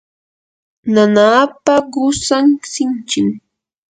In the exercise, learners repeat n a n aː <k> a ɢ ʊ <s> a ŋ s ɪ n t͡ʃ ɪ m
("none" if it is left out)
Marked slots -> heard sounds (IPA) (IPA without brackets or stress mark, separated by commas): p, s